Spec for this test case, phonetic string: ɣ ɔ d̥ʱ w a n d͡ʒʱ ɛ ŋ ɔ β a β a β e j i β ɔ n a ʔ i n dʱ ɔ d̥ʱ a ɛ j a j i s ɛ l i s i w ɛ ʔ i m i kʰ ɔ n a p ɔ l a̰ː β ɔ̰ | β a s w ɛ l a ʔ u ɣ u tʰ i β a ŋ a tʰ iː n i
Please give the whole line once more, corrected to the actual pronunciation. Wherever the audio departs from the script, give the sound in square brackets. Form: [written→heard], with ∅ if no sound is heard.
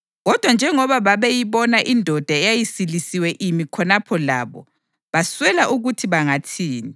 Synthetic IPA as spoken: ɣ ɔ d̥ʱ w a n d͡ʒʱ ɛ ŋ ɔ β a β a β e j i β ɔ n a ʔ i n dʱ ɔ d̥ʱ a ɛ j a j i s [ɛ→i] l i s i w ɛ ʔ i m i kʰ ɔ n a [p→pʰ] ɔ l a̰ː β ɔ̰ | β a s w ɛ l a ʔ u ɣ u tʰ i β a ŋ a tʰ iː n i